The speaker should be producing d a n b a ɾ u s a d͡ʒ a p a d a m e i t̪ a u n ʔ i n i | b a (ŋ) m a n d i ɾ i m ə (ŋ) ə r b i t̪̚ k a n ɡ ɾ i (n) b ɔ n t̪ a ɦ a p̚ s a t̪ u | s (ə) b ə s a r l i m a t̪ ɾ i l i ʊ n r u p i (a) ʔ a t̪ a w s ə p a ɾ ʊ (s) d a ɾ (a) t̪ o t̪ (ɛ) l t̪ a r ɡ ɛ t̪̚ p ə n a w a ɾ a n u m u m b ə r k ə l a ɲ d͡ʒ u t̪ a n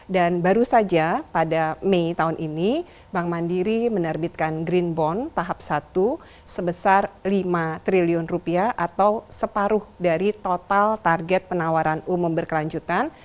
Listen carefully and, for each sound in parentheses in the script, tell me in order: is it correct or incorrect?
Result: correct, incorrect, correct, correct, correct, incorrect, incorrect, incorrect

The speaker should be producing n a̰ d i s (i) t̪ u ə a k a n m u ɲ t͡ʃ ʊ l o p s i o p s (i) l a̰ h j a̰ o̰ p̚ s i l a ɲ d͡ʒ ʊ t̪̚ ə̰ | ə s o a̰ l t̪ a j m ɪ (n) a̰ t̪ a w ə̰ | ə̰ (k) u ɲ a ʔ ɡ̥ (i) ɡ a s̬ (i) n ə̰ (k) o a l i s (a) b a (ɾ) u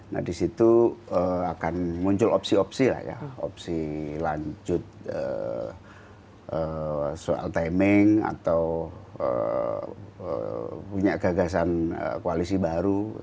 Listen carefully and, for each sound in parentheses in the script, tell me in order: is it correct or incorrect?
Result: correct, correct, incorrect, incorrect, incorrect, incorrect, correct, incorrect, correct

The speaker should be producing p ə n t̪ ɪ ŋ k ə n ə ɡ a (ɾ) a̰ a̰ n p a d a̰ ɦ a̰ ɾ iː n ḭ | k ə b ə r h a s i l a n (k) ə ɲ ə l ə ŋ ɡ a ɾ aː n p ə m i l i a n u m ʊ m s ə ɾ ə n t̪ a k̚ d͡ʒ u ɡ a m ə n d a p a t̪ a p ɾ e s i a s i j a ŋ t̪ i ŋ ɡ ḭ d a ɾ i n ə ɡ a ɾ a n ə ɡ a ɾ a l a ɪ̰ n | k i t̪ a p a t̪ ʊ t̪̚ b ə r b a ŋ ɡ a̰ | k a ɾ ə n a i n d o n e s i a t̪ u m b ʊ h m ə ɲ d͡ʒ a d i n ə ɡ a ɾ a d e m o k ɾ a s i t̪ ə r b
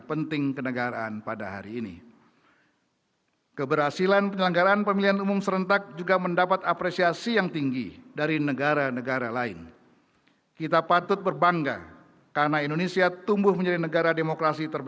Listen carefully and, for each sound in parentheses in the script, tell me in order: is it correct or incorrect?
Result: correct, incorrect

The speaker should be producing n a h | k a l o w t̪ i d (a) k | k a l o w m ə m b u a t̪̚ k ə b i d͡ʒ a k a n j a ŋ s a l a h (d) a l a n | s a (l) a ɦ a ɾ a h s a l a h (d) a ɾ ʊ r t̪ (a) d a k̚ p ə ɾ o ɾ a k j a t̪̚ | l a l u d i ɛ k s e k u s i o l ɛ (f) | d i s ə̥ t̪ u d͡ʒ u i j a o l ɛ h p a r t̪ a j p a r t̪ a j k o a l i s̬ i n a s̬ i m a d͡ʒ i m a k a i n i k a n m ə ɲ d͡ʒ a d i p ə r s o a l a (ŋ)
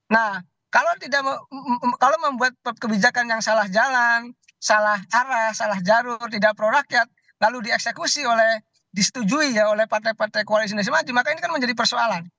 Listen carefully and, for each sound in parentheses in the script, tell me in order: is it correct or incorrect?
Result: correct, incorrect, correct, incorrect, incorrect, incorrect, incorrect

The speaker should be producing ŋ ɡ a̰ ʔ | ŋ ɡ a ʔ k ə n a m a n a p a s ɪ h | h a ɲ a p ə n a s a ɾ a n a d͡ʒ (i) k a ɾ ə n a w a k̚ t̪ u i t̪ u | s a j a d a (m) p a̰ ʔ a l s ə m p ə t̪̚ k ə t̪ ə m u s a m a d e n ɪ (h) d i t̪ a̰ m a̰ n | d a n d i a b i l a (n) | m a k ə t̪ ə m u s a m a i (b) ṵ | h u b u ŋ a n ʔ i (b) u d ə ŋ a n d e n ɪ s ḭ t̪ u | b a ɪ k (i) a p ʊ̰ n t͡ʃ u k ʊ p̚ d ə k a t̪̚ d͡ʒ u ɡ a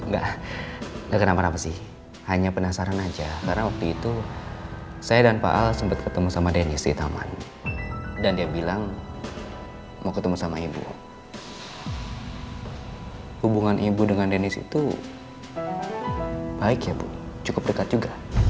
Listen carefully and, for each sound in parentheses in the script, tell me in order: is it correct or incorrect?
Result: incorrect, incorrect, incorrect, incorrect, correct, correct, incorrect

